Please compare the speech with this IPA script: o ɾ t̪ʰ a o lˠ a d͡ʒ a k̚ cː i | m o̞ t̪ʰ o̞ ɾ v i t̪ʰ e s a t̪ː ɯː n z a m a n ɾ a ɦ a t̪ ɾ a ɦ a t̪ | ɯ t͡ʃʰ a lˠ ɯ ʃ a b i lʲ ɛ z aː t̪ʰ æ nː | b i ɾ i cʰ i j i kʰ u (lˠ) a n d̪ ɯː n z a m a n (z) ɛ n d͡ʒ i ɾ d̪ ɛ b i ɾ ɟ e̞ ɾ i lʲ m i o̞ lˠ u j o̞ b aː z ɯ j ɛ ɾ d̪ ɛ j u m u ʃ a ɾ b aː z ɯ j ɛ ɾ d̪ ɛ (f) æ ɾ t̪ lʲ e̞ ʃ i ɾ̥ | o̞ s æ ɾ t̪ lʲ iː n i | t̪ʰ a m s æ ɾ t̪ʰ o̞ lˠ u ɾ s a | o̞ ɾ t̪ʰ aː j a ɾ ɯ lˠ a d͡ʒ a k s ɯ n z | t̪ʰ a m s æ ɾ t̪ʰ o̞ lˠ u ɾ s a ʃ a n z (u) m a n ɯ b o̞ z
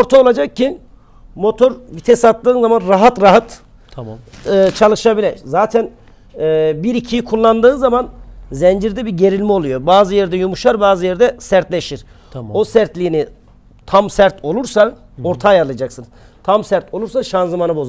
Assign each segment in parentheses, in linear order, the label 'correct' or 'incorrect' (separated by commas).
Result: incorrect, correct, incorrect, incorrect